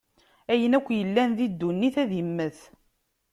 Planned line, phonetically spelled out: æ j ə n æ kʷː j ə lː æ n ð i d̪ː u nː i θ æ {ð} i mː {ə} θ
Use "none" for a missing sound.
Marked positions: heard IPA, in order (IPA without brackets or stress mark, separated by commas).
ð, ə